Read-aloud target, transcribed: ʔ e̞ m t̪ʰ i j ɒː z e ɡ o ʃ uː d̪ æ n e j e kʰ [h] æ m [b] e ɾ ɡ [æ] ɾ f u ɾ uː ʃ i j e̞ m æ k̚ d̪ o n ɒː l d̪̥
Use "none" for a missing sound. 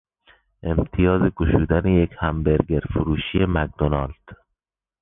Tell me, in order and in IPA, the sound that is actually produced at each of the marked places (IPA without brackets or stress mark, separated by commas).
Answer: h, b, e